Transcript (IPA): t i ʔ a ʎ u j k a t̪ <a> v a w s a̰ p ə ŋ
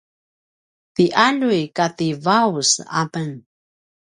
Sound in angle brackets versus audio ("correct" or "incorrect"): incorrect